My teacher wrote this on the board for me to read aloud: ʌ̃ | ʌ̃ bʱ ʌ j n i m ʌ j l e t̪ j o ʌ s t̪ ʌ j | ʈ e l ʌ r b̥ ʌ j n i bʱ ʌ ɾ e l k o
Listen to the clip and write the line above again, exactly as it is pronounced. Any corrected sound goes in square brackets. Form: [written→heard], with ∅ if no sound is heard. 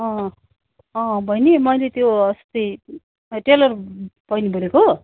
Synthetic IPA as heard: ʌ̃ | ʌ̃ bʱ ʌ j n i m ʌ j l e t̪ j o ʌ s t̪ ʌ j | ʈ e l ʌ r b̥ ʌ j n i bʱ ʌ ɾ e [l→∅] k o